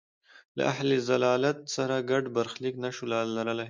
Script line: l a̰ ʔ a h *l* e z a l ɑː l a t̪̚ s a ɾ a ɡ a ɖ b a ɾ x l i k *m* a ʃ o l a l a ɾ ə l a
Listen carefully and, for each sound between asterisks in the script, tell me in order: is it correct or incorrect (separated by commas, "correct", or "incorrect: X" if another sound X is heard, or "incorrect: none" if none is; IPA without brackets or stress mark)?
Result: correct, incorrect: n